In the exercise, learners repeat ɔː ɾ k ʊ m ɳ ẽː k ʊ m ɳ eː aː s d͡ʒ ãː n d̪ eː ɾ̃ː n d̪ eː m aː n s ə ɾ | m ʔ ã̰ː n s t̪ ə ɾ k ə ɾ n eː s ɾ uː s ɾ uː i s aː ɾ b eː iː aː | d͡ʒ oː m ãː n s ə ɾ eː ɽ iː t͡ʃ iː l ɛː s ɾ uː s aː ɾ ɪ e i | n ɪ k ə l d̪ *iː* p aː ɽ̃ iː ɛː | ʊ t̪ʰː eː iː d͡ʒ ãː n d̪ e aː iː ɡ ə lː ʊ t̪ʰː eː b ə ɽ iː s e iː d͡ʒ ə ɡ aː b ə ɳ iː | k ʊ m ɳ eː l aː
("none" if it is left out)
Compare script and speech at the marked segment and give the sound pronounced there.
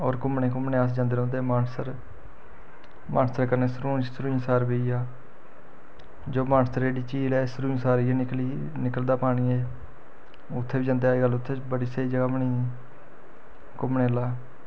aː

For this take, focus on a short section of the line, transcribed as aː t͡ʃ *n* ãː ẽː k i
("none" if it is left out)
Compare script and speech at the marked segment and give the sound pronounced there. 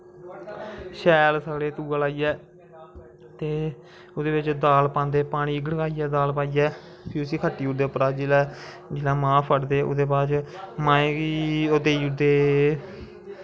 m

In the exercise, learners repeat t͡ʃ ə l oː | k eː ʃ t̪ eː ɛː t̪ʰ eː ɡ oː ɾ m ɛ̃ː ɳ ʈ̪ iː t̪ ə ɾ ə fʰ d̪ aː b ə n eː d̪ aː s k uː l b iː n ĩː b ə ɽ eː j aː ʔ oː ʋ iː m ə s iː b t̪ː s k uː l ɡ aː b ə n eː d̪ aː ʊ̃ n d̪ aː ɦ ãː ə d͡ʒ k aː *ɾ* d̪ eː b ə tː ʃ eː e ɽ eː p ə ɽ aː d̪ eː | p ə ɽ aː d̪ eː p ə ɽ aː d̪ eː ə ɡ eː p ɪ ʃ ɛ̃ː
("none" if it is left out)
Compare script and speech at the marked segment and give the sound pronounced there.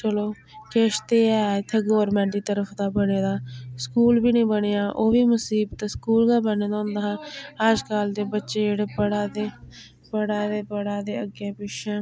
l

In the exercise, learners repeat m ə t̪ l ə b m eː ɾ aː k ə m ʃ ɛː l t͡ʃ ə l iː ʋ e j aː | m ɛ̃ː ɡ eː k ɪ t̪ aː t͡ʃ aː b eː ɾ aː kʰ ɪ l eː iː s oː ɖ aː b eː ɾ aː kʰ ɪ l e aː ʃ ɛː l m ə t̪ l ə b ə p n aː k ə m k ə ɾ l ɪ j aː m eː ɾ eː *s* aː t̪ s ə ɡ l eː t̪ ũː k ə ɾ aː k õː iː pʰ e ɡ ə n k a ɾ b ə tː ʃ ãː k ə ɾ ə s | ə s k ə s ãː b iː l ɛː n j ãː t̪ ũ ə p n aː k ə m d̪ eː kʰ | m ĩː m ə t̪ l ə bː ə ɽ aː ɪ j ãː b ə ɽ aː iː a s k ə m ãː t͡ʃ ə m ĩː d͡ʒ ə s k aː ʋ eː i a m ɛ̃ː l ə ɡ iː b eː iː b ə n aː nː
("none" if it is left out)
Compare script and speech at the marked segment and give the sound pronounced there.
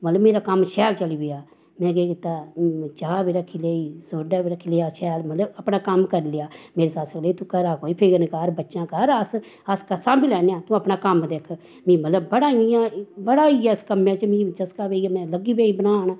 s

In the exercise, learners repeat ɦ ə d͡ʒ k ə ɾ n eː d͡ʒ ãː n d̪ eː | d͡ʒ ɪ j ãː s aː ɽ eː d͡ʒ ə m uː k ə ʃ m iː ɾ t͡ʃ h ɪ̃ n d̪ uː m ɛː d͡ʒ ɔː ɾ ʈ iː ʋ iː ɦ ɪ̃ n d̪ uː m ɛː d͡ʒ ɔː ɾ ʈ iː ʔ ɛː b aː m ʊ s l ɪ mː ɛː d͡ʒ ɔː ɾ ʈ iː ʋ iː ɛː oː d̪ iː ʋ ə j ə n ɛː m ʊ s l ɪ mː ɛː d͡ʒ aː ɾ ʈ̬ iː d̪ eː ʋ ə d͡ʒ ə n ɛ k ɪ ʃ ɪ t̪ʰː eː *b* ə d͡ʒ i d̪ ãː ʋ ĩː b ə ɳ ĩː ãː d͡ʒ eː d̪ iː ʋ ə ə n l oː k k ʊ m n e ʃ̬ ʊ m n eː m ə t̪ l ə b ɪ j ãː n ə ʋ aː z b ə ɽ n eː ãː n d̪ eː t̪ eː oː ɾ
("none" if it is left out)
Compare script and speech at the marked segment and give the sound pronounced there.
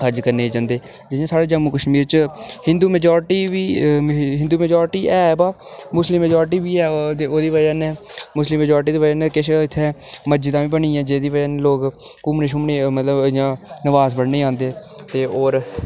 m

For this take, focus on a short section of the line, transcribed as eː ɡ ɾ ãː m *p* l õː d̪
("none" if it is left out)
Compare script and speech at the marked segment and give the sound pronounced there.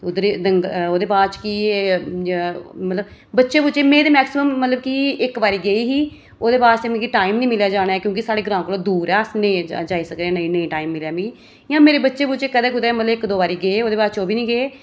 k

